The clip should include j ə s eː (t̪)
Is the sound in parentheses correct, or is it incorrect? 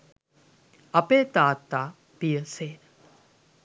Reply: incorrect